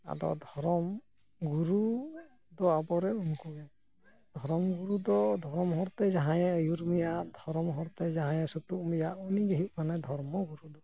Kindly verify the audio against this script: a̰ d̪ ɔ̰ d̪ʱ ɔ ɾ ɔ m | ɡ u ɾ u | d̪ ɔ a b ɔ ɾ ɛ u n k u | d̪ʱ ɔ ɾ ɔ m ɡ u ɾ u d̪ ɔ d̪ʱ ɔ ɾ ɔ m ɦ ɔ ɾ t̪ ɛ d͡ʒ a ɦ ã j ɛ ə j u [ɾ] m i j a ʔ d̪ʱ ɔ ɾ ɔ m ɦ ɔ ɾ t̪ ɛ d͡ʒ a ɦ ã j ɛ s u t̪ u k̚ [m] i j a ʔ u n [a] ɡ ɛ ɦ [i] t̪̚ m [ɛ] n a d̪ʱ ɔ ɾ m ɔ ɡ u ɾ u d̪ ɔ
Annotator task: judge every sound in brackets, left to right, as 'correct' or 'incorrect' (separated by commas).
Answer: correct, correct, incorrect, correct, incorrect